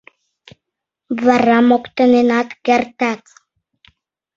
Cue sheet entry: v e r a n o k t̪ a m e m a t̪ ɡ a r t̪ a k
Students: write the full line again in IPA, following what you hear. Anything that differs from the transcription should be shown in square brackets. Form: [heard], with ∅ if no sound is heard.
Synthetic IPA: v [a] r a [m] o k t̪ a [n] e [n] a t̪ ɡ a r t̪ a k